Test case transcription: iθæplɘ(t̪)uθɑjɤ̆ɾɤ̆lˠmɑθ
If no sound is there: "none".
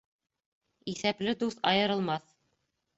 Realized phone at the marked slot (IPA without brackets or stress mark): d̪